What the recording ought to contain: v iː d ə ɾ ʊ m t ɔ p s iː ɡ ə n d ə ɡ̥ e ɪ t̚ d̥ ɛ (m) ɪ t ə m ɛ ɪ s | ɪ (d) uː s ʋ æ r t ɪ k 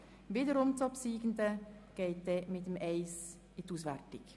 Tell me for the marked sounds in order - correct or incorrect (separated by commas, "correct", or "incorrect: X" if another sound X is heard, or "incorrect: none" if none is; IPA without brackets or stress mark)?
correct, incorrect: t